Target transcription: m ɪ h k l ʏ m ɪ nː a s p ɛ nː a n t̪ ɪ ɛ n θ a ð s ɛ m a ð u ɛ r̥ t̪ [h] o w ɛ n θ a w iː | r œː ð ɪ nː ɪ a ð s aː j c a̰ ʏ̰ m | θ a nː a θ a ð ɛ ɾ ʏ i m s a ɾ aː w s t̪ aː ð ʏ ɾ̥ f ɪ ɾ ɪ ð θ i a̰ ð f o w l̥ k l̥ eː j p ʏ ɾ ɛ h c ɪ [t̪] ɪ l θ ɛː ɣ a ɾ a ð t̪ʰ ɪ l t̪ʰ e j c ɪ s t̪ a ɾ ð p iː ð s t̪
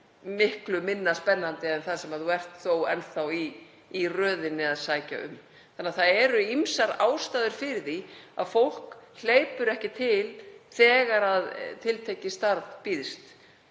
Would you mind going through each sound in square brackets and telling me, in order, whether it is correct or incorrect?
incorrect, incorrect

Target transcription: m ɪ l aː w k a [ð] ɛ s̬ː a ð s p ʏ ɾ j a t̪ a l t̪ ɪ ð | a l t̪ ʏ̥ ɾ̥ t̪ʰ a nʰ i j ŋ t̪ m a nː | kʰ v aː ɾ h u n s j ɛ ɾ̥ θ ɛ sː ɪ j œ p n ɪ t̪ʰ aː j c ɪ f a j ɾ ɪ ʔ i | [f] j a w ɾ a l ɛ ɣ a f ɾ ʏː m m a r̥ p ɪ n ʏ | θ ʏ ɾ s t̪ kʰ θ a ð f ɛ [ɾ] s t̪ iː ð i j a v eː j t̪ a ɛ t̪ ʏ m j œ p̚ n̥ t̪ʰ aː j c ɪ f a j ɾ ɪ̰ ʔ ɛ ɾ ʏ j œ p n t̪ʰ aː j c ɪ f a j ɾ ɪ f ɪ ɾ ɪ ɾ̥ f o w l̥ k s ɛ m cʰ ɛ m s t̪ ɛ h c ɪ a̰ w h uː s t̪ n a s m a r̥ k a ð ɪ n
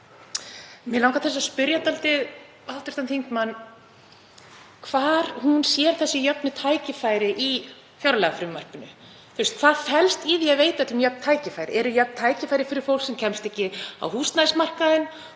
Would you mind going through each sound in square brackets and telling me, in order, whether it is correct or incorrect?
incorrect, correct, incorrect

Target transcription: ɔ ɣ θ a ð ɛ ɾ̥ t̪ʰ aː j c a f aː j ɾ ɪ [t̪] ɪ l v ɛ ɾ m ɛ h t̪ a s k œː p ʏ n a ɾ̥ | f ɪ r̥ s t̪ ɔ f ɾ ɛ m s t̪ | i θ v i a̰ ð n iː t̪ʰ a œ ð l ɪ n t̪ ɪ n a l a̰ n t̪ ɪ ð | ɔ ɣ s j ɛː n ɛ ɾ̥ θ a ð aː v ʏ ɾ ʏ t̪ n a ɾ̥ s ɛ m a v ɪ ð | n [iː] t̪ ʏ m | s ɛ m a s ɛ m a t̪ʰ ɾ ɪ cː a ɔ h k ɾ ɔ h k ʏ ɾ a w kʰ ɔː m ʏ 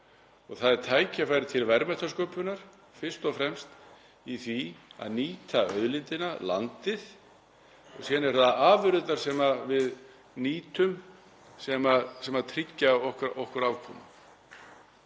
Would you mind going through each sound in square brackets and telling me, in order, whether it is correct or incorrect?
incorrect, correct

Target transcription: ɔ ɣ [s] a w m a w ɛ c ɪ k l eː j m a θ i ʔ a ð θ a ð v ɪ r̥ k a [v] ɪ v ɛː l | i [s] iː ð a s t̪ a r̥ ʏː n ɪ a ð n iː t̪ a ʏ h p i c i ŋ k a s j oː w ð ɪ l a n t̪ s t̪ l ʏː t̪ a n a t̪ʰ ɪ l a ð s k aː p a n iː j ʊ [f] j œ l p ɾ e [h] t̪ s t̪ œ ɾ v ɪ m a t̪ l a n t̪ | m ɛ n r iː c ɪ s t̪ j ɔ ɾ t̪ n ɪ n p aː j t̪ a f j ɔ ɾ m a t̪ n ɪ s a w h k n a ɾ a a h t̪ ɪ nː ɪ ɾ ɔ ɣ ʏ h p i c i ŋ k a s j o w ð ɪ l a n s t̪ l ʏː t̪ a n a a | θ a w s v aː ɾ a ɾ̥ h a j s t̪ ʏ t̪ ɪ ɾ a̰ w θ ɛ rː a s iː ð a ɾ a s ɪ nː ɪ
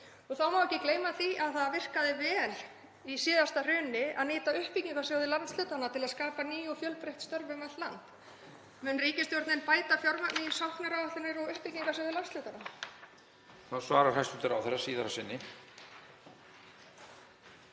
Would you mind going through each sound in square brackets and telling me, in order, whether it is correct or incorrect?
incorrect, incorrect, correct, correct, correct

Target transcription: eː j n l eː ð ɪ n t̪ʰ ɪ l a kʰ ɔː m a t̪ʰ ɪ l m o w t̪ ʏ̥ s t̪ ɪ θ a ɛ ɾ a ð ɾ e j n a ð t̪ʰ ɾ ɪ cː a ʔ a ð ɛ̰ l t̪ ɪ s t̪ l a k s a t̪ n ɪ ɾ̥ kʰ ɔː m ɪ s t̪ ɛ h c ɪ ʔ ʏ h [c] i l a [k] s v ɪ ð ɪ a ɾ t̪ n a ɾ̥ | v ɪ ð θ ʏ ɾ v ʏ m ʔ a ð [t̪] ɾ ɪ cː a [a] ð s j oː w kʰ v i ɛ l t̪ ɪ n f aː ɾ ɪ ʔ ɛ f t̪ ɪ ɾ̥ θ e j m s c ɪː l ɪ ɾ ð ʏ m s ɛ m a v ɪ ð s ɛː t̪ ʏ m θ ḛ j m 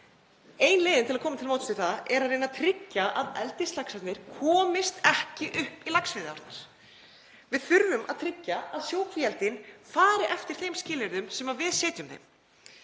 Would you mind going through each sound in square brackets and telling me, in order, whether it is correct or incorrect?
incorrect, correct, incorrect, correct

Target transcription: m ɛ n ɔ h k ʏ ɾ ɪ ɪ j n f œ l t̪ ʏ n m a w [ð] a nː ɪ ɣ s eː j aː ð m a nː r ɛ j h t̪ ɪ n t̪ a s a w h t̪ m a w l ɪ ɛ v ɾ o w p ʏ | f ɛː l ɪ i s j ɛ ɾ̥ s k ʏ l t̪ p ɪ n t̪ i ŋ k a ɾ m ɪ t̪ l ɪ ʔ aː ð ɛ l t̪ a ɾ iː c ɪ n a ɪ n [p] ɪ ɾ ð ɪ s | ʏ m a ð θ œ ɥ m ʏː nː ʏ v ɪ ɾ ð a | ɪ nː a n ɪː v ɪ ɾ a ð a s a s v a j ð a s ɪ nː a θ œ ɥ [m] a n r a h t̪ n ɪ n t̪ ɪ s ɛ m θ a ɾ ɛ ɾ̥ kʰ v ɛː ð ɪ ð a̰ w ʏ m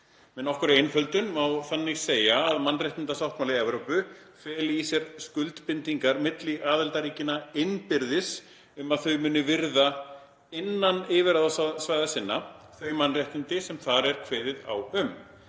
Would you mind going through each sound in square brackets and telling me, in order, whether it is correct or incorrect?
incorrect, correct, correct

